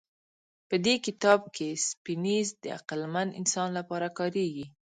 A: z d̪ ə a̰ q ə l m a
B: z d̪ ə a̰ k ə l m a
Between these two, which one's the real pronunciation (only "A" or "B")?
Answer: A